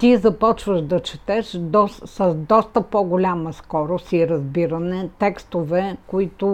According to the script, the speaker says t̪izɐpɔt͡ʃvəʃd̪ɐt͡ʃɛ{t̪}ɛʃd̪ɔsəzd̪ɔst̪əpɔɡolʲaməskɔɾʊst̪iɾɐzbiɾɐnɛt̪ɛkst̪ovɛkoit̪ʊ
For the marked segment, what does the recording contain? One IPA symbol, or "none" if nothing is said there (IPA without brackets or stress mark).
t̪